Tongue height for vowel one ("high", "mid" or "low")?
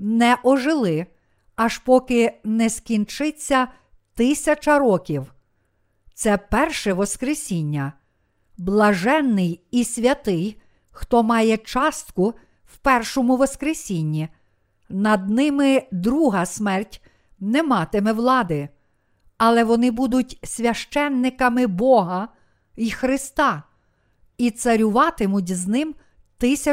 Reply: mid